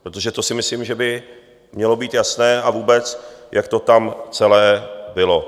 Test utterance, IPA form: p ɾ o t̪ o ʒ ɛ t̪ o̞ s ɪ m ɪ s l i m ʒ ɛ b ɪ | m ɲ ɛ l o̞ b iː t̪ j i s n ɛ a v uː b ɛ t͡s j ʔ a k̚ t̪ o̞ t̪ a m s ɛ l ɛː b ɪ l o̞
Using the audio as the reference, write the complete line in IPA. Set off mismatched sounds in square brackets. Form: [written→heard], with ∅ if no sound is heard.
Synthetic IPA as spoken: p ɾ o t̪ o ʒ ɛ t̪ o̞ s ɪ m ɪ s l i m ʒ ɛ b ɪ | m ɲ ɛ l o̞ b iː t̪ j [i→a] s n [ɛ→ɛː] a v uː b ɛ t͡s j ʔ a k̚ t̪ o̞ t̪ a m [s→t͡s] ɛ l ɛː b ɪ l o̞